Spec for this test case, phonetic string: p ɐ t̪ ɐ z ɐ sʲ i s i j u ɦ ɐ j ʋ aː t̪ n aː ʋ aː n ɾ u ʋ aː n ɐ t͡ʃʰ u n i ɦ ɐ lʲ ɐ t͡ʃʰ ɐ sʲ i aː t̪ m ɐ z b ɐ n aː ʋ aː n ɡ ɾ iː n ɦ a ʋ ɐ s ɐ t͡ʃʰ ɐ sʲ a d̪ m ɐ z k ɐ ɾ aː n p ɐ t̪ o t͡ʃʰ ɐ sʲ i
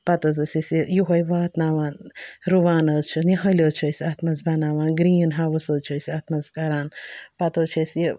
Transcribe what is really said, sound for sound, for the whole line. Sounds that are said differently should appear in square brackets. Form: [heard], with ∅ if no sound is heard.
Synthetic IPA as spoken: p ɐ t̪ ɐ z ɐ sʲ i s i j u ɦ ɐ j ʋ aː t̪ n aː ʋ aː n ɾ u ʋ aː n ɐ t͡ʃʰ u n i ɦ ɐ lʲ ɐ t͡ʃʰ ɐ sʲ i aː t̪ m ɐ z b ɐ n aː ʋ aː n ɡ ɾ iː n ɦ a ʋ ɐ s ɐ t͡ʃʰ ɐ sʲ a [t̪] m ɐ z k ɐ ɾ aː n p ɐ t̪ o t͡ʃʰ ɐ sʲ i